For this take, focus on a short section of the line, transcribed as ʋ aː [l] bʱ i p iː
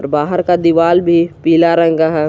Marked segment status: correct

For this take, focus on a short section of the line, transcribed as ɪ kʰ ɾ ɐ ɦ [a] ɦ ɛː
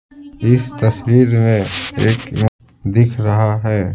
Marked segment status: correct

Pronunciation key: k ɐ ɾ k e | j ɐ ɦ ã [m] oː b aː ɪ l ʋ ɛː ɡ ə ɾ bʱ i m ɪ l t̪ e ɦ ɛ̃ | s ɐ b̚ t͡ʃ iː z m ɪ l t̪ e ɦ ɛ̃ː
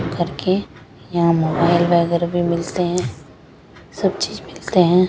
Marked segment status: correct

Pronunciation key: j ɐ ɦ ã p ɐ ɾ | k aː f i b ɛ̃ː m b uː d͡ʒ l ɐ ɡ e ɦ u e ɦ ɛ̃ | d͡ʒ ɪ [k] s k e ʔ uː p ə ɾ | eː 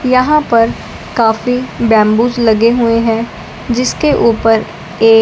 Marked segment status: incorrect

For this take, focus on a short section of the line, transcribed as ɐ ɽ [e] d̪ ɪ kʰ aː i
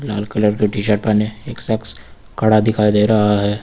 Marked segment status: incorrect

